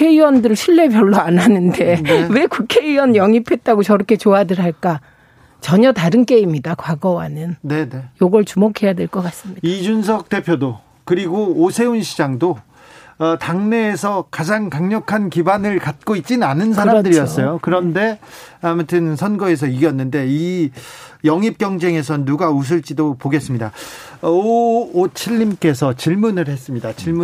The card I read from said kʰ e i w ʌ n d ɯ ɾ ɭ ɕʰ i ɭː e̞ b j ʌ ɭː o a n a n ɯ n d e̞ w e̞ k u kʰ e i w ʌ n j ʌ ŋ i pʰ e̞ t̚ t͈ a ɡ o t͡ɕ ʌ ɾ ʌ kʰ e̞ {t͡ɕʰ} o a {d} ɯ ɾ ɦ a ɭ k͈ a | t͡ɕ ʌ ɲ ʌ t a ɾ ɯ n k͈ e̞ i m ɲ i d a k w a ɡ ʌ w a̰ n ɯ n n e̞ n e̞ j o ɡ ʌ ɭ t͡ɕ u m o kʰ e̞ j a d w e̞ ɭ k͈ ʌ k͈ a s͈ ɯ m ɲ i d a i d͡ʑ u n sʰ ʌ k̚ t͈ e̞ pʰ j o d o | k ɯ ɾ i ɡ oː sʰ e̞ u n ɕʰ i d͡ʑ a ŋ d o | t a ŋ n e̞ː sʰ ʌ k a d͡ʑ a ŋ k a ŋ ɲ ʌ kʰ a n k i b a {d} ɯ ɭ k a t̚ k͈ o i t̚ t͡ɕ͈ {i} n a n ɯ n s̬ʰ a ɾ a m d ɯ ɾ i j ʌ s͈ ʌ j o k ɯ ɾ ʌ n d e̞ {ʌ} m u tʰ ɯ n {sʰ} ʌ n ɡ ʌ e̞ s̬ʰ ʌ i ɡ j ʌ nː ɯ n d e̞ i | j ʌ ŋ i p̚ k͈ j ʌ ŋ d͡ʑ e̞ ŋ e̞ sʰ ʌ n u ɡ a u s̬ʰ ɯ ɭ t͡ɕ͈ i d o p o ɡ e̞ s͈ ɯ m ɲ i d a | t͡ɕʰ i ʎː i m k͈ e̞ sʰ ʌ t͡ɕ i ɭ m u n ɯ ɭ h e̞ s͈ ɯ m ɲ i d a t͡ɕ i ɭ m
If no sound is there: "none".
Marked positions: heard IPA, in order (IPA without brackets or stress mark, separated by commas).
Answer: t͡ɕ, d, n, i, a, sʰ